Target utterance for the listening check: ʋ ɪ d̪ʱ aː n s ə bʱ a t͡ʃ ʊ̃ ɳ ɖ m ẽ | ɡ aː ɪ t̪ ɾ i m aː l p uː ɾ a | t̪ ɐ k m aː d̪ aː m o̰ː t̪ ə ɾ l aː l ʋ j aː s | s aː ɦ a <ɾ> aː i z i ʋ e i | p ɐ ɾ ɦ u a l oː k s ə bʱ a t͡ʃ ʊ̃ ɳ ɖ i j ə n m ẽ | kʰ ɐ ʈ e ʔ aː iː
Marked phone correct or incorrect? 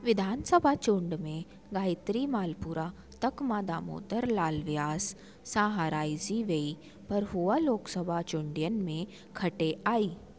correct